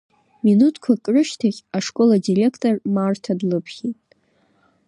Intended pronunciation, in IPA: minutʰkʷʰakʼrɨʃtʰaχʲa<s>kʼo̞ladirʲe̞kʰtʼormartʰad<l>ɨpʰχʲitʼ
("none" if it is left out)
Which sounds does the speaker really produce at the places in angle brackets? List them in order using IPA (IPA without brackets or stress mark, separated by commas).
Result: ʂ, l